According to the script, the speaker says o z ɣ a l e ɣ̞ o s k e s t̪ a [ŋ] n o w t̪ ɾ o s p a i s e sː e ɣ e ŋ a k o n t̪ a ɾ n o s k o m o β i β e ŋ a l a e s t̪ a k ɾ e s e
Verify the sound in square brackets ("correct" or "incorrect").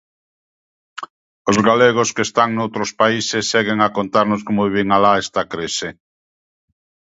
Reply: correct